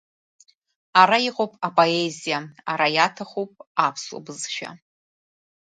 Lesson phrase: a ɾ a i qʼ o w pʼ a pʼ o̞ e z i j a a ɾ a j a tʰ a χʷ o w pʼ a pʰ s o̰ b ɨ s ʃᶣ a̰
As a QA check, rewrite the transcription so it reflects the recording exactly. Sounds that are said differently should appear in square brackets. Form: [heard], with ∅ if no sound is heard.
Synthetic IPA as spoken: a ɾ a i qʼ o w pʼ a pʼ o̞ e z i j a a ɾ a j a tʰ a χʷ o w pʼ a pʰ s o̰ b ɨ [z] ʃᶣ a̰